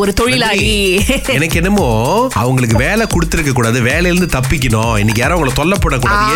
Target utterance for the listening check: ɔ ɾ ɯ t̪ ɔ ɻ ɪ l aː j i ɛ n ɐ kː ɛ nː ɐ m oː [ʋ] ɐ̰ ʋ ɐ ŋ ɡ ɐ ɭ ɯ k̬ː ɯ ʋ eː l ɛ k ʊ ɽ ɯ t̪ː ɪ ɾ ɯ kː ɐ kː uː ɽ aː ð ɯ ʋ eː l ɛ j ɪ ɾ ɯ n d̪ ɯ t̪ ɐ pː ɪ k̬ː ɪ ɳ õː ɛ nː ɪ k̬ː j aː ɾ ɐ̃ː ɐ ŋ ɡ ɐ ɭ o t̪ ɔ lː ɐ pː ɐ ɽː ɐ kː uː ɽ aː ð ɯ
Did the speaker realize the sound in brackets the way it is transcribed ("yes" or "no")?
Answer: no